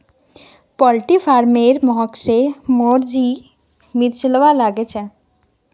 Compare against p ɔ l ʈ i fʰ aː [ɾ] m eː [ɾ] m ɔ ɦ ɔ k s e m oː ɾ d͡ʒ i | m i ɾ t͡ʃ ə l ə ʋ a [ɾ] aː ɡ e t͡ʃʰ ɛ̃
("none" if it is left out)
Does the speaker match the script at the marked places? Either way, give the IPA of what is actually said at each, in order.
ɾ, ɾ, l

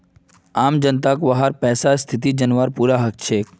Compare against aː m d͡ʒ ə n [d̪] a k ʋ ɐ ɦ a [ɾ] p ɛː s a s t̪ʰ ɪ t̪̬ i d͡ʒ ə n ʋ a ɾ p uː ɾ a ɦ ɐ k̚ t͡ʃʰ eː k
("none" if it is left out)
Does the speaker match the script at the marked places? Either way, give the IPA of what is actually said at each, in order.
t̪, ɾ

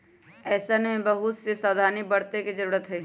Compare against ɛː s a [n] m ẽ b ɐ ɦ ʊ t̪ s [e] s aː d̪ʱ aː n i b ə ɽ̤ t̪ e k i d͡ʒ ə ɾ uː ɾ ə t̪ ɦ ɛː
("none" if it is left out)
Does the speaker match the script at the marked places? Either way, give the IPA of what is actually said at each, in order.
n, e

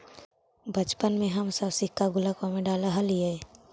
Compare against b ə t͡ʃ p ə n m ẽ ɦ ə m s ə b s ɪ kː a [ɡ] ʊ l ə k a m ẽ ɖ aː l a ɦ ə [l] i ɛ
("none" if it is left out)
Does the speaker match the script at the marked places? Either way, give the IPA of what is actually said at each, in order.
ɡ, l

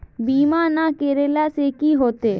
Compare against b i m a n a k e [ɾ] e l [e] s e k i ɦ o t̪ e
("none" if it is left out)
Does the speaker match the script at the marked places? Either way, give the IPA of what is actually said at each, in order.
ɾ, a

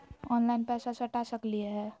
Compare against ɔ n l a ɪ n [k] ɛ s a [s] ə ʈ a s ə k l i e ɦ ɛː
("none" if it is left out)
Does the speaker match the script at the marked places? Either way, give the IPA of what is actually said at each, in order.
p, s

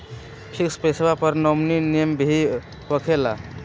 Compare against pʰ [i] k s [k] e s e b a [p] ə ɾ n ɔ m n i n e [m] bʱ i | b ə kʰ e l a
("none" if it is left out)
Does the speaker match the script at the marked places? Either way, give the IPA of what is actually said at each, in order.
i, p, p, m

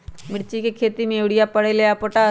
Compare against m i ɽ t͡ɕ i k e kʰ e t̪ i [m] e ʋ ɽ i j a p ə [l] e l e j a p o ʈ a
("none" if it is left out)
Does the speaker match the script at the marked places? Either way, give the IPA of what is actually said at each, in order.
m, ɽ

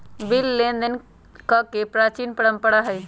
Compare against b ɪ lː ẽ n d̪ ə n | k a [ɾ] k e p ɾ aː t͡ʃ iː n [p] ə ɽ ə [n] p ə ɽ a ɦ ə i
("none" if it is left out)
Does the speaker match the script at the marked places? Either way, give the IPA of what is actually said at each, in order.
none, p, m

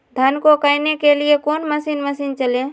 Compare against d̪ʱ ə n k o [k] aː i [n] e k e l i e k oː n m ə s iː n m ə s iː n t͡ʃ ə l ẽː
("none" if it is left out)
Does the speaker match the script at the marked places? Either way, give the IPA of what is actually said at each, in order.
k, n

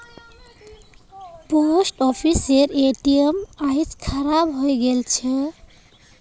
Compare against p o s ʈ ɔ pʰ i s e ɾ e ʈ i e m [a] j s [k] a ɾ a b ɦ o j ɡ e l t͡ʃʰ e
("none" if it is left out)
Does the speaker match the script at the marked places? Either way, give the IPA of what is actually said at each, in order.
a, kʰ

